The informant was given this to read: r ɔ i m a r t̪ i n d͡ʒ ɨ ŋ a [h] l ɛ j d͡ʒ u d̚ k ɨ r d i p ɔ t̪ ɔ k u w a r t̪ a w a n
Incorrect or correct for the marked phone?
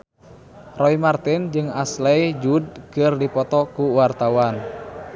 incorrect: s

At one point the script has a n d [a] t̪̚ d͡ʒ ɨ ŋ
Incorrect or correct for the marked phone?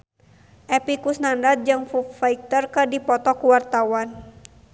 correct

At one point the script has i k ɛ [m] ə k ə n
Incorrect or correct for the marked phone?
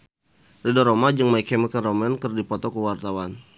correct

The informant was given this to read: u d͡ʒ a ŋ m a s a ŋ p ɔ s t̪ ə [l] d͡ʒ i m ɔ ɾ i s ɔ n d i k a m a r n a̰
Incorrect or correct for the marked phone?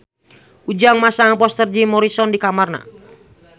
incorrect: r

